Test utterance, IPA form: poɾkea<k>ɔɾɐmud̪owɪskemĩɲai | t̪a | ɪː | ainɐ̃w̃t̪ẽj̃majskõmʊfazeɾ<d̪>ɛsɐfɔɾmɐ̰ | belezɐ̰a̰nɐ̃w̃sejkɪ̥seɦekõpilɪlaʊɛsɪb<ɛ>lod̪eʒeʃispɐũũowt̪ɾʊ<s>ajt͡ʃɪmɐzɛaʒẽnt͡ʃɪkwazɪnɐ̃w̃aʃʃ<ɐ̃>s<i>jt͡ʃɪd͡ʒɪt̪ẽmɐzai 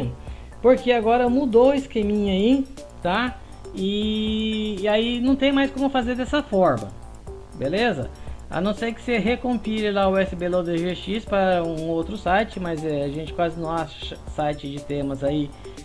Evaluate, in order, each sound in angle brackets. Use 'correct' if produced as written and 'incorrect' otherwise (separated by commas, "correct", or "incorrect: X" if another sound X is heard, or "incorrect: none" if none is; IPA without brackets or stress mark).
incorrect: ɡ, correct, incorrect: e, correct, incorrect: ɐ, incorrect: a